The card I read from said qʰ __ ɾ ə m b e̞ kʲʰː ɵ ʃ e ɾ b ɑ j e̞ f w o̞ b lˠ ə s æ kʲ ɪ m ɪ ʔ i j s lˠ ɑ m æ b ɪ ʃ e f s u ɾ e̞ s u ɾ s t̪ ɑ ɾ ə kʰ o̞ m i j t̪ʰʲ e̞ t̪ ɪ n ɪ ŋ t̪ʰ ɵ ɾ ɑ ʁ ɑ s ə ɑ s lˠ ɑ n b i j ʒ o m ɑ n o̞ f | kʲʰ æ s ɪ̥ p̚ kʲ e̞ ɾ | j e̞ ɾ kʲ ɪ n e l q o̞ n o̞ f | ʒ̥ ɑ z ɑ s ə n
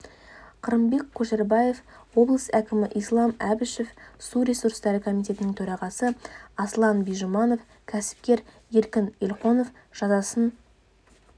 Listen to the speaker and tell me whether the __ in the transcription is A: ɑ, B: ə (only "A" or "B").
B